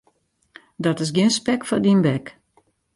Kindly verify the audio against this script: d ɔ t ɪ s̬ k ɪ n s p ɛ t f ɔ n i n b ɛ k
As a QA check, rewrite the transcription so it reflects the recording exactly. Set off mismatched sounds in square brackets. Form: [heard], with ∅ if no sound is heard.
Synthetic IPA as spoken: d ɔ t ɪ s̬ [ɡ] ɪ n s p ɛ [k] f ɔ [d] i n b ɛ k